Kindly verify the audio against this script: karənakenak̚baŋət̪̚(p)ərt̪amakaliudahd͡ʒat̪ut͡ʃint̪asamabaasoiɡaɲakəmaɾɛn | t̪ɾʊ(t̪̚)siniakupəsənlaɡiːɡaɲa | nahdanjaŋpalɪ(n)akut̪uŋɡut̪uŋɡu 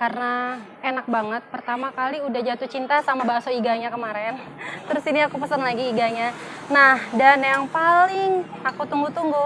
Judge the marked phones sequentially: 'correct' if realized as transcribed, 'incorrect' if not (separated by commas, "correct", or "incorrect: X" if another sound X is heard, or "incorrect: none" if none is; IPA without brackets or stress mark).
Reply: correct, incorrect: none, incorrect: ŋ